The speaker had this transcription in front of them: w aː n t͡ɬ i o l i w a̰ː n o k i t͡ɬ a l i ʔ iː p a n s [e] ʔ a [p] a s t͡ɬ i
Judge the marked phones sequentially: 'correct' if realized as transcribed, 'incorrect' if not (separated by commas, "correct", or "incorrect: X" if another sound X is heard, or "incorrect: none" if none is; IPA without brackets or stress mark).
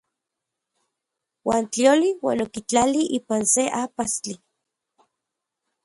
correct, correct